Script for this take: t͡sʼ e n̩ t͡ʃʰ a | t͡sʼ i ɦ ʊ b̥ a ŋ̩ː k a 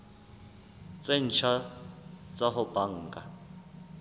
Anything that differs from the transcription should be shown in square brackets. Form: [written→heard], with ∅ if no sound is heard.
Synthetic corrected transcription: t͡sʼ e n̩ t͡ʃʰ a | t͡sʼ [i→a] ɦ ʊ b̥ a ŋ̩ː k a